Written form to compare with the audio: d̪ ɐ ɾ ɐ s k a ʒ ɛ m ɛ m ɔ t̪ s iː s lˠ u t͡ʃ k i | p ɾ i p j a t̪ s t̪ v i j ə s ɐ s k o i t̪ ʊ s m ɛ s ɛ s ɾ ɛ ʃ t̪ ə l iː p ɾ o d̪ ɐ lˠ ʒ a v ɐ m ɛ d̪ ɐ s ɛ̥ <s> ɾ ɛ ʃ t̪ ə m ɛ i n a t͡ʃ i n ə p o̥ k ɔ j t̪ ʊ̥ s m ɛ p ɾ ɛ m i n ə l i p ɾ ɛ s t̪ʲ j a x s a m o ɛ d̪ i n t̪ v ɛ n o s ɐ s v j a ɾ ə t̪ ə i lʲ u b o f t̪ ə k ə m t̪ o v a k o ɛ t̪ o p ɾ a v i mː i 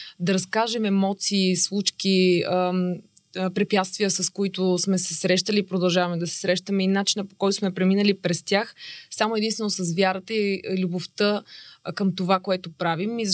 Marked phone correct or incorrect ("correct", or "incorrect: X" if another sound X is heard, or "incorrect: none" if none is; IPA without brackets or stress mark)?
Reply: correct